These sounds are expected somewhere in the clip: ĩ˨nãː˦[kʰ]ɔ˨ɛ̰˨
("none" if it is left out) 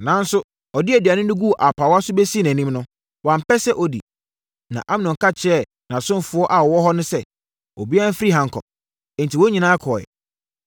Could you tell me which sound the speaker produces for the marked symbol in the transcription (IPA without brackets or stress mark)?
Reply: kʰ